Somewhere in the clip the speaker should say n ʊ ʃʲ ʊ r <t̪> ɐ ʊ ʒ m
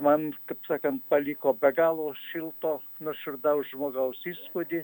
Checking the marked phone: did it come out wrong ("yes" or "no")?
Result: yes